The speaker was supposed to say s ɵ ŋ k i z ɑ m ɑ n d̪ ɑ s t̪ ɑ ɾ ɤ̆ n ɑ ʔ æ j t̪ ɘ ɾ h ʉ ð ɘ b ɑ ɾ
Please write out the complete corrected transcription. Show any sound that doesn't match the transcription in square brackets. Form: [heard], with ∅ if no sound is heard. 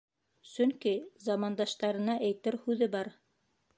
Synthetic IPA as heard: s ɵ ŋ k i z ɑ m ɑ n d̪ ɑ [ʃ] t̪ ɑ ɾ ɤ̆ n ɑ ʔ æ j t̪ ɘ ɾ h ʉ ð ɘ b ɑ ɾ